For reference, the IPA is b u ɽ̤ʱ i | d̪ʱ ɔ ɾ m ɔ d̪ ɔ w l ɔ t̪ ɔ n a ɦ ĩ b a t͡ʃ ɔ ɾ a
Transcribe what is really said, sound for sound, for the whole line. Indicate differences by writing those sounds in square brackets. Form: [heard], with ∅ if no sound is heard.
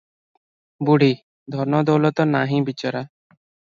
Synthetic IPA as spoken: b u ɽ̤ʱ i | d̪ʱ ɔ ɾ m ɔ d̪ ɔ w l ɔ t̪ ɔ n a ɦ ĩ b [i] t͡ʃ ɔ ɾ a

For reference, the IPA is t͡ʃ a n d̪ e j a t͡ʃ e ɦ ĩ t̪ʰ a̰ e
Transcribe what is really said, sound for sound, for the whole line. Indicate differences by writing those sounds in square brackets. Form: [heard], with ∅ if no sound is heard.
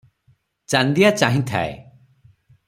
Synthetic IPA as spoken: t͡ʃ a n d̪ [i] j a t͡ʃ [a] ɦ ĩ t̪ʰ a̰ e

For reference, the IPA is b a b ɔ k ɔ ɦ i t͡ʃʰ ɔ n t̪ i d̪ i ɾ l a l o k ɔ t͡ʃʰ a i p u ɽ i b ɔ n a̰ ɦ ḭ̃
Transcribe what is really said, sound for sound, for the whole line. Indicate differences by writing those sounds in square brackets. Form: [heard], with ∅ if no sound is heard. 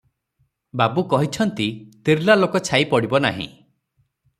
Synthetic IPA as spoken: b a b [u] k ɔ ɦ i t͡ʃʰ ɔ n t̪ i [t̪] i ɾ l a l o k ɔ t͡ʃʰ a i p [ɔ] ɽ i b ɔ n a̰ ɦ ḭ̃

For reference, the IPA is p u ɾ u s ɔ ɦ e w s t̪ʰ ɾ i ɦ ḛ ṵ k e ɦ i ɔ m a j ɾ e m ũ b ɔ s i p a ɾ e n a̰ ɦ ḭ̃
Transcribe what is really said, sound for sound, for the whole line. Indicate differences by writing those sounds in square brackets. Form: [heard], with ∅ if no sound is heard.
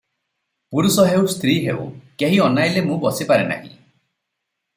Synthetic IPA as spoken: p u ɾ u s ɔ ɦ e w s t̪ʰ ɾ i ɦ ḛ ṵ k e ɦ i ɔ [n] a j [l] e m ũ b ɔ s i p a ɾ e n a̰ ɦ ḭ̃

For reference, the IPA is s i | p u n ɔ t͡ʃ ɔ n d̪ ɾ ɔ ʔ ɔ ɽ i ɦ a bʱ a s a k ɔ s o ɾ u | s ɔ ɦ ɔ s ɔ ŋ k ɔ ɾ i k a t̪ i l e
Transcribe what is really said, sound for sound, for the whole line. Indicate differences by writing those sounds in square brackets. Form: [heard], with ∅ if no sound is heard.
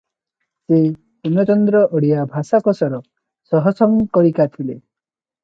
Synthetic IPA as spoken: s [e] | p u n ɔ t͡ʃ ɔ n d̪ ɾ ɔ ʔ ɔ ɽ i [∅] a bʱ a s a k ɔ s [ɔ] ɾ [ɔ] | s ɔ ɦ ɔ s ɔ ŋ k ɔ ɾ i k a [t̪ʰ] i l e

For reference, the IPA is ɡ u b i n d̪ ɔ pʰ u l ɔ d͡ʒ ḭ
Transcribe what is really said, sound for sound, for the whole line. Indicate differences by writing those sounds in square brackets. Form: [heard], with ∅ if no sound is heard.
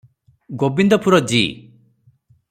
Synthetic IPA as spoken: ɡ [o] b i n d̪ ɔ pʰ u [ɾ] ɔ d͡ʒ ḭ

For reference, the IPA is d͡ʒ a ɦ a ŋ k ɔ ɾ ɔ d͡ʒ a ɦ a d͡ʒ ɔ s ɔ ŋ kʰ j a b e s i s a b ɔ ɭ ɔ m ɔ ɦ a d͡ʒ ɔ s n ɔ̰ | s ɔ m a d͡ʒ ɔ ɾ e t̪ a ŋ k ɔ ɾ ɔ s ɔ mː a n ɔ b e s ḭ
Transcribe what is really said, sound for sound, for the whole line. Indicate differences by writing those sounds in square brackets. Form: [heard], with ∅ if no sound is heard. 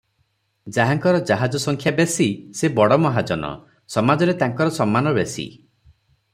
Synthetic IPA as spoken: d͡ʒ a ɦ a ŋ k ɔ ɾ ɔ d͡ʒ a ɦ a d͡ʒ ɔ s ɔ ŋ kʰ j a b e s i s [e] b ɔ [ɽ] ɔ m ɔ ɦ a d͡ʒ ɔ [∅] n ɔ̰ | s ɔ m a d͡ʒ ɔ ɾ e t̪ a ŋ k ɔ ɾ ɔ s ɔ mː a n ɔ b e s ḭ

